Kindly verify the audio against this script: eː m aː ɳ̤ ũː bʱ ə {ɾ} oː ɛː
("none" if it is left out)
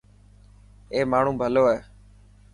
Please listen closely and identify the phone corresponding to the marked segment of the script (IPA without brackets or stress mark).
l